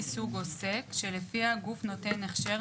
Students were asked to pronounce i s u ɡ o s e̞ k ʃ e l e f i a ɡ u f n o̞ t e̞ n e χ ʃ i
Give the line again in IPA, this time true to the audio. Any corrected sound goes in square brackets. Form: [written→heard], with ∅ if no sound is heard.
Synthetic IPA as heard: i s u ɡ o s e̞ k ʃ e l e f i a ɡ u f n o̞ t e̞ n e χ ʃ [i→e]